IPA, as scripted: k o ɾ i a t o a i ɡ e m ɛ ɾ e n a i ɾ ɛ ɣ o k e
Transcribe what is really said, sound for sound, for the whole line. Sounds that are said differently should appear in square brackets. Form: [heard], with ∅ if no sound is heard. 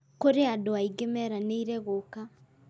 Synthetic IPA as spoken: k o ɾ [e] a [d] o a i ɡ e m ɛ ɾ [a] n [e] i ɾ ɛ ɣ o k [a]